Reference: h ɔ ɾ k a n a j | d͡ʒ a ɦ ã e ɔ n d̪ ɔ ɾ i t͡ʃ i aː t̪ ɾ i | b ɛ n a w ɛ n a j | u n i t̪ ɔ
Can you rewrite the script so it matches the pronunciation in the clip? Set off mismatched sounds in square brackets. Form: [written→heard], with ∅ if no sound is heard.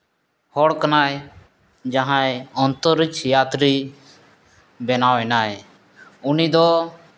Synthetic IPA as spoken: h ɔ [ɾ→ɽ] k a n a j | d͡ʒ a ɦ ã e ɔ n [d̪→t̪] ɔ ɾ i t͡ʃ [i→j] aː t̪ ɾ i | b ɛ n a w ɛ n a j | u n i [t̪→d̪] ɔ